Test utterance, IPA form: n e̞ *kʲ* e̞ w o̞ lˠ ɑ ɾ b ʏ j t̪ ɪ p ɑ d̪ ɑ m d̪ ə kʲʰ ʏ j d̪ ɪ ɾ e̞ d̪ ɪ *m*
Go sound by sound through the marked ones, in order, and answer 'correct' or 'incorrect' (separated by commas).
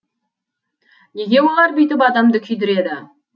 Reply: incorrect, incorrect